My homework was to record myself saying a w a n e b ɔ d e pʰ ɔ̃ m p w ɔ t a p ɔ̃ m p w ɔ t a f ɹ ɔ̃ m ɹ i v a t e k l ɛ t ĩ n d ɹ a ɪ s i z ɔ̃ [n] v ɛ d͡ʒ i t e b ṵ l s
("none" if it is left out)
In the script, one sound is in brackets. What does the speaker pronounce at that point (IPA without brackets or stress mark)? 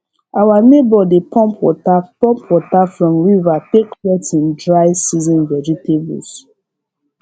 n